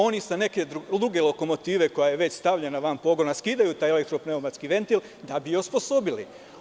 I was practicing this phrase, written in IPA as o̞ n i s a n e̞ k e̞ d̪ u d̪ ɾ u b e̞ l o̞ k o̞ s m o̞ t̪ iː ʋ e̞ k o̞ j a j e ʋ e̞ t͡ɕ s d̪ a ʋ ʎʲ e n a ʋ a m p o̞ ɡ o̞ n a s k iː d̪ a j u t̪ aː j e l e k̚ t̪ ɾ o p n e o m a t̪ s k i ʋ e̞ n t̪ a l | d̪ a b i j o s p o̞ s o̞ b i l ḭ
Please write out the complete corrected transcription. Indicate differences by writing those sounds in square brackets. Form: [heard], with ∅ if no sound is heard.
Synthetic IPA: o̞ n i s a n e̞ k e̞ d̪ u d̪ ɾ u [ɡ] e̞ l o̞ k o̞ [∅] m o̞ t̪ iː ʋ e̞ k o̞ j a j e ʋ e̞ t͡ɕ s [t̪] a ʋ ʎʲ e n a ʋ a m p o̞ ɡ o̞ n a s k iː d̪ a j u t̪ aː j e l e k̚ t̪ ɾ o p n e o m a t̪ s k i ʋ e̞ n t̪ [i] l | d̪ a b i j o s p o̞ s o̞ b i l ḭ

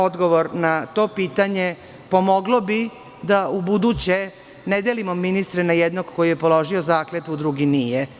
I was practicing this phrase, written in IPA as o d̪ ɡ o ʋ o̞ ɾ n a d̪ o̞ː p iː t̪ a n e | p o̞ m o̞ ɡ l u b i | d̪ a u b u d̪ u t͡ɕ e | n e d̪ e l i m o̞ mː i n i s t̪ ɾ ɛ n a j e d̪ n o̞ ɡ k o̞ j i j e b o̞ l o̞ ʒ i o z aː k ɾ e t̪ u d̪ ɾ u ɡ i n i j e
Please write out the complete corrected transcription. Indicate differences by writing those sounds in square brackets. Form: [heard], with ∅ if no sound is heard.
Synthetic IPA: o d̪ ɡ o ʋ o̞ ɾ n a [t̪] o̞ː p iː t̪ a [ɲ] e | p o̞ m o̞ ɡ l [o] b i | d̪ a u b u d̪ u t͡ɕ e | n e d̪ e l i m o̞ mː i n i s t̪ ɾ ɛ n a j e d̪ n o̞ ɡ k o̞ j i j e [p] o̞ l o̞ ʒ i o z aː k [l] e t̪ u d̪ ɾ u ɡ i n i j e

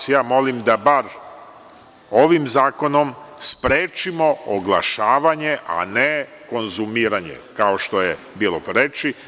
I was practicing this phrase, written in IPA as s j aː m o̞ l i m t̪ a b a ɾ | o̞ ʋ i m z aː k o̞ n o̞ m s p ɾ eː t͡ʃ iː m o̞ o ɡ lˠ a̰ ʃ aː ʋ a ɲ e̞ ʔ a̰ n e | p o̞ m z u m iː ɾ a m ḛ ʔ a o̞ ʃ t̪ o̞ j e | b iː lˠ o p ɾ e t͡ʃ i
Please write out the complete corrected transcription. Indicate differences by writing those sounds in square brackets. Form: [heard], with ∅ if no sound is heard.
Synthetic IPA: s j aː m o̞ l i m [d̪] a b a ɾ | o̞ ʋ i m z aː k o̞ n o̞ m s p ɾ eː t͡ʃ [i] m o̞ o ɡ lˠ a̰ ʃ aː ʋ a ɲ e̞ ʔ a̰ n e | [k] o̞ [n] z u m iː ɾ a [ɲ] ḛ [k] a o̞ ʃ t̪ o̞ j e | b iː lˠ o p ɾ e t͡ʃ i

